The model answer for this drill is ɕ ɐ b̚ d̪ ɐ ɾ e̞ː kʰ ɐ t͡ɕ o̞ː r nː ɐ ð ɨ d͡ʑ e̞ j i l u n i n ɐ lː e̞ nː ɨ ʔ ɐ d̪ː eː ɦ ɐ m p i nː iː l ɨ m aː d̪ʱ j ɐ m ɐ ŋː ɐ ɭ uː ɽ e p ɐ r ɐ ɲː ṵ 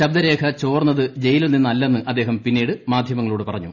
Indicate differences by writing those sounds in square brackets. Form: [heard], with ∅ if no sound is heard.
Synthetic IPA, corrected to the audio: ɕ ɐ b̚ d̪ ɐ ɾ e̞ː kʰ ɐ t͡ɕ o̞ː r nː ɐ ð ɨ d͡ʑ e̞ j i l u n i [nː] ɐ lː e̞ nː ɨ ʔ ɐ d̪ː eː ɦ ɐ m p i nː iː [ɽ] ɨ m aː d̪ʱ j ɐ m ɐ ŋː ɐ ɭ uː ɽ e p ɐ r ɐ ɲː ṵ

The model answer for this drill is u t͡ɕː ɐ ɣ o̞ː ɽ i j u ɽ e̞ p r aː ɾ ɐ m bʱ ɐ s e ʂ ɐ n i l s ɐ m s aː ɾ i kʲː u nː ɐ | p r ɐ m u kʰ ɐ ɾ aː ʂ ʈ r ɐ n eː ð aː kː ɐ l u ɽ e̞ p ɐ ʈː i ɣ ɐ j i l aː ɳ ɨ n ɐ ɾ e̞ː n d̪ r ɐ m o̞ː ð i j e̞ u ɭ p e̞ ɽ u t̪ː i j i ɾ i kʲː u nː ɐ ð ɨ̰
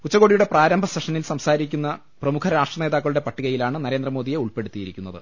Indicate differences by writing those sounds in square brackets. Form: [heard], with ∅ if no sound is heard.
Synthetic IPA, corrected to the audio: u t͡ɕː ɐ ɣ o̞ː ɽ i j u ɽ e̞ p r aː ɾ ɐ m bʱ ɐ s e ʂ ɐ n i l s ɐ m s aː ɾ i kʲː u nː ɐ | p r ɐ m u kʰ ɐ ɾ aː ʂ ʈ r ɐ n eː ð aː kː ɐ [ɭ] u ɽ e̞ p ɐ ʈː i ɣ ɐ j i l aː ɳ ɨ n ɐ ɾ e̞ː n d̪ r ɐ m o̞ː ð i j e̞ u ɭ p e̞ ɽ u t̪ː i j i ɾ i kʲː u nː ɐ ð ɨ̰

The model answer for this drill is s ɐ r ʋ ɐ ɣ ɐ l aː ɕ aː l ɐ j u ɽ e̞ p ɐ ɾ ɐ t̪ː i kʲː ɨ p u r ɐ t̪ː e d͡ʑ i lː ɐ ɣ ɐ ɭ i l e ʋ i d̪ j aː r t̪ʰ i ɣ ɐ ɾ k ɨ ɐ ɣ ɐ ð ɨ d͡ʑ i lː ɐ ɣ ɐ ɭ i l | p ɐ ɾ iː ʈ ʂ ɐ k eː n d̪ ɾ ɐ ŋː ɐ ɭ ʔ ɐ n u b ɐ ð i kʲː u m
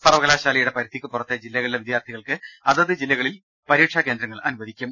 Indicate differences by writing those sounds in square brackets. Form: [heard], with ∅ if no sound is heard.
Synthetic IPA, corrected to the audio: s ɐ r ʋ ɐ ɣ ɐ l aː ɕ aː l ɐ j u ɽ e̞ p ɐ ɾ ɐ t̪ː i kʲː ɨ p u r ɐ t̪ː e d͡ʑ i lː ɐ ɣ ɐ ɭ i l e ʋ i d̪ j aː r t̪ʰ i ɣ ɐ [ɭ] k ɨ ɐ [ð] ɐ ð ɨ d͡ʑ i lː ɐ ɣ ɐ ɭ i l | p ɐ ɾ iː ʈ ʂ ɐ k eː n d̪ ɾ ɐ ŋː ɐ ɭ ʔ ɐ n u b ɐ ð i kʲː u m

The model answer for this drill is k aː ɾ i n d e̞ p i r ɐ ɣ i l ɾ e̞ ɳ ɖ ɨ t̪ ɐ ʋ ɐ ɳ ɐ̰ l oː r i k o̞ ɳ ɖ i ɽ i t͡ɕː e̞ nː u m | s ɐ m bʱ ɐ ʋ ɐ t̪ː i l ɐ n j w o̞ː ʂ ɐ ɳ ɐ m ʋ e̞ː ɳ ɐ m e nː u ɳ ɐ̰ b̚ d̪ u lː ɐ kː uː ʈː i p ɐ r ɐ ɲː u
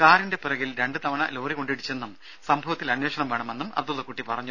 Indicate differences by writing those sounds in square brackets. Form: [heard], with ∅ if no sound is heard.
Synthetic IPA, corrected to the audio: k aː ɾ i n d e̞ p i r ɐ ɣ i l ɾ e̞ ɳ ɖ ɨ t̪ ɐ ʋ ɐ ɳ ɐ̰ l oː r i k o̞ ɳ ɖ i ɽ i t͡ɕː e̞ nː u m | s ɐ m bʱ ɐ ʋ ɐ t̪ː i l ɐ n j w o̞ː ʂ ɐ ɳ ɐ m ʋ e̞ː ɳ ɐ m e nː u [m] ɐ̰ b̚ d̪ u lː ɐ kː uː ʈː i p ɐ r ɐ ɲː u

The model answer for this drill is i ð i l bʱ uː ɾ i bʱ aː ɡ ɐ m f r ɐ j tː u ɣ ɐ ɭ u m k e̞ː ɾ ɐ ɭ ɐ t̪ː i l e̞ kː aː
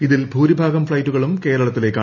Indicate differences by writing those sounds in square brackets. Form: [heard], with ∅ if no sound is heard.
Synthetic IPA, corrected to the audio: i ð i l bʱ uː ɾ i bʱ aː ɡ ɐ m f [ɭ] ɐ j tː u ɣ ɐ ɭ u m k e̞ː ɾ ɐ ɭ ɐ t̪ː i l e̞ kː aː

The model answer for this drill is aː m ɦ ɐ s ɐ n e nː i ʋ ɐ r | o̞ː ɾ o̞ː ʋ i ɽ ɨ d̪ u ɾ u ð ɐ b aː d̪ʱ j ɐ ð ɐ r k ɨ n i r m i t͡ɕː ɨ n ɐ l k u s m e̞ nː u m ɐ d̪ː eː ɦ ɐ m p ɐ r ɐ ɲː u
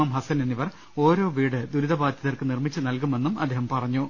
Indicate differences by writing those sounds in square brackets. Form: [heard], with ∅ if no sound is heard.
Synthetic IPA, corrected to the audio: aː m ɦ ɐ s ɐ n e nː i ʋ ɐ r | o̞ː ɾ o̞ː ʋ [iː] ɽ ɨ d̪ u ɾ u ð ɐ b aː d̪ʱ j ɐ ð ɐ r k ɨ n i r m i t͡ɕː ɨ n ɐ l k u [∅] m e̞ nː u m ɐ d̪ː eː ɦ ɐ m p ɐ r ɐ ɲː u

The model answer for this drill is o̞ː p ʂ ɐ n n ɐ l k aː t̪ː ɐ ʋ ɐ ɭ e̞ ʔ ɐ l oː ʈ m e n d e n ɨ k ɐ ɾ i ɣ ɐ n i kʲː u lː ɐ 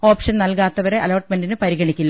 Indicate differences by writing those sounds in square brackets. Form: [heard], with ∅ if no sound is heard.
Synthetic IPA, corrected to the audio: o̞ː p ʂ ɐ n n ɐ l k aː t̪ː ɐ ʋ ɐ [ɾ] e̞ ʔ ɐ l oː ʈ m e n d [i] n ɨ [p] ɐ ɾ i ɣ ɐ [ɳ] i kʲː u lː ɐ

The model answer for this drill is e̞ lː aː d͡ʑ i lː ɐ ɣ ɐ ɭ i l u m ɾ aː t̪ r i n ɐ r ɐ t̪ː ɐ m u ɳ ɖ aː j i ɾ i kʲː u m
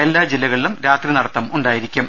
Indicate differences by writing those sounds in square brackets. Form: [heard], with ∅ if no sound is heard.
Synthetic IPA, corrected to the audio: e̞ lː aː d͡ʑ i lː ɐ ɣ ɐ ɭ i l u m ɾ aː t̪ r i n ɐ [ɽ] ɐ t̪ː ɐ m u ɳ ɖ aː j i ɾ i kʲː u m

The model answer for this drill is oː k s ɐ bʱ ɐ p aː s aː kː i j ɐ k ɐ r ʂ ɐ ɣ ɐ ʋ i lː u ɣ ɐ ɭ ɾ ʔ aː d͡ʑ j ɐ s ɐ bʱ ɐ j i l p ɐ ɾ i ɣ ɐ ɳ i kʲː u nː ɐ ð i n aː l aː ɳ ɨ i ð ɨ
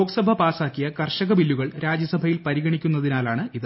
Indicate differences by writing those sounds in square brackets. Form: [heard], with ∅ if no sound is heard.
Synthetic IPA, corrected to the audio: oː k s ɐ bʱ ɐ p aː s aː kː i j ɐ k ɐ r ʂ ɐ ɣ ɐ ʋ i lː u ɣ ɐ ɭ ɾ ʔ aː d͡ʑ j ɐ s ɐ bʱ ɐ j i l p ɐ ɾ i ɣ ɐ ɳ i kʲː u nː ɐ ð i n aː l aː ɳ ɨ i ð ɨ

